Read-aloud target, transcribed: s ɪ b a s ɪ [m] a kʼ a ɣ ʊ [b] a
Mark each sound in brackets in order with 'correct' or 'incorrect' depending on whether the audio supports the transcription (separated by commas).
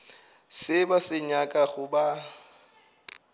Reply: incorrect, correct